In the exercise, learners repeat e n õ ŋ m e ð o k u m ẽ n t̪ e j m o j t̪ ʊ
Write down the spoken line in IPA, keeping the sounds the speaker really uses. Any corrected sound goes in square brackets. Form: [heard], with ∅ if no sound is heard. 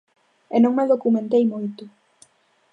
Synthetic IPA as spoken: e n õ ŋ m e ð o k u m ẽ n t̪ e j m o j t̪ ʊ